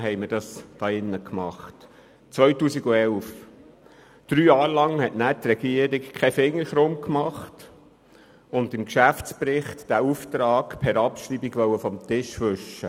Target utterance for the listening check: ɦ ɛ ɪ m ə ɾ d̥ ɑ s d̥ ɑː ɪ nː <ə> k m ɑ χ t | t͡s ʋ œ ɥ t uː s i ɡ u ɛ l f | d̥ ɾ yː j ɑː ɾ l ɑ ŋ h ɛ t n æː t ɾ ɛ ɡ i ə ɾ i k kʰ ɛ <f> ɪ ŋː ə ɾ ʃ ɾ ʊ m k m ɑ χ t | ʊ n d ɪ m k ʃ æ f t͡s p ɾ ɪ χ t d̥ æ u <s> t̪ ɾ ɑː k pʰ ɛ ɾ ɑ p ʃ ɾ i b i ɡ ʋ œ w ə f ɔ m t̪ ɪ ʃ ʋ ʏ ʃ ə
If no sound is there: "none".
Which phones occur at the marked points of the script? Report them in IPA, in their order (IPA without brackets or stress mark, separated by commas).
ə, f, f